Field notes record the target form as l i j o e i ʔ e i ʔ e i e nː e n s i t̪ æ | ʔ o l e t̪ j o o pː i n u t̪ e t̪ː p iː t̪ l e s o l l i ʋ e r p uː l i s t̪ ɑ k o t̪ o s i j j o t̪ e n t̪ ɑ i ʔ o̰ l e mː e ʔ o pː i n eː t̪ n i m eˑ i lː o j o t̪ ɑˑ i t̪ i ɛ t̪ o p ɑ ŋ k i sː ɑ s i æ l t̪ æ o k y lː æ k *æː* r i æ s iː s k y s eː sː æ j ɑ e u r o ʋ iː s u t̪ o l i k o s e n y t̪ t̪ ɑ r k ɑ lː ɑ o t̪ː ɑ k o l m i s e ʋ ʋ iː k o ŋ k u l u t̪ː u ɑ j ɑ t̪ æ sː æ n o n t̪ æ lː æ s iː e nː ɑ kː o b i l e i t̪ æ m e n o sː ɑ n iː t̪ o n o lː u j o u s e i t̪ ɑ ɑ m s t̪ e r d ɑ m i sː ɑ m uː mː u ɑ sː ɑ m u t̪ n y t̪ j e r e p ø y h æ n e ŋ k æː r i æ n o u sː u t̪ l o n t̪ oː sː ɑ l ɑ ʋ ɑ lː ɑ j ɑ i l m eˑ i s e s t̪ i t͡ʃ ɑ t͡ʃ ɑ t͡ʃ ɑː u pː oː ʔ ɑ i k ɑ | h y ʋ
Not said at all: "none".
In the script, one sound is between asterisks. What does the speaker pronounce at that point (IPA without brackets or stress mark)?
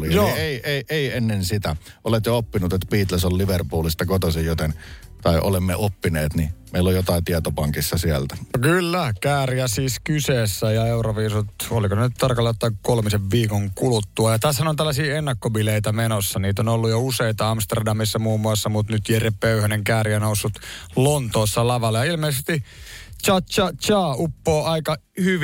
æː